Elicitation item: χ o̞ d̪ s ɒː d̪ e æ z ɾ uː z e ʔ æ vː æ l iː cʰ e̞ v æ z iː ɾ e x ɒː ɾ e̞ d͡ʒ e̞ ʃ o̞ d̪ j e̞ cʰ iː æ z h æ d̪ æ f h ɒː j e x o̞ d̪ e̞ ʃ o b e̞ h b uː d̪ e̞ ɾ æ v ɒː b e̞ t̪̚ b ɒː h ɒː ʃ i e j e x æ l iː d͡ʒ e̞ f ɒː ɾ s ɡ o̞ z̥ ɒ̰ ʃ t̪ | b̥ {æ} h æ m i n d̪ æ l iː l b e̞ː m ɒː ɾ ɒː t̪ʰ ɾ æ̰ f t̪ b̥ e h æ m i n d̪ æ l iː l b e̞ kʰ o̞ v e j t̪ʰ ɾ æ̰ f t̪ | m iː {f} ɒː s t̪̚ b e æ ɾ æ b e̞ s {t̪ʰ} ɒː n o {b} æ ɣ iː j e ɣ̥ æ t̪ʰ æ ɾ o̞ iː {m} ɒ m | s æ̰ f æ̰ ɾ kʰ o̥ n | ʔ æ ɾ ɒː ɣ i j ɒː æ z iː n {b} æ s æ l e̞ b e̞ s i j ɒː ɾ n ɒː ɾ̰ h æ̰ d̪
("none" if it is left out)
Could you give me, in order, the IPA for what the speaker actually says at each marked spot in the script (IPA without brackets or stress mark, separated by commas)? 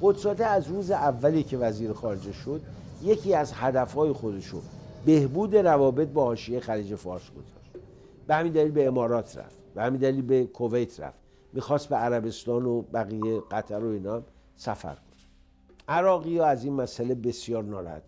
e, x, t̪, b, n, m